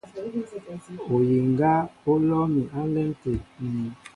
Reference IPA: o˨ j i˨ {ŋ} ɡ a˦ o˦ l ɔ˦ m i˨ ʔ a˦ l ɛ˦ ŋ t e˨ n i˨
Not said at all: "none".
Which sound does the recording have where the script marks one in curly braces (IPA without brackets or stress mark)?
ŋ